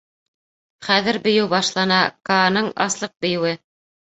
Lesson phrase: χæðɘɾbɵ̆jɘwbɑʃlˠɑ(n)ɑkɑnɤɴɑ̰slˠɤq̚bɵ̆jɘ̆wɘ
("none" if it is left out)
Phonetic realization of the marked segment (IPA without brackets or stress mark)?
n